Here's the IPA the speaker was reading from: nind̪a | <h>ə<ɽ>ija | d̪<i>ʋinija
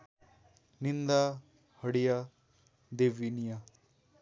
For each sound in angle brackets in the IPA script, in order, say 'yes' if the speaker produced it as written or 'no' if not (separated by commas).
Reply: yes, yes, no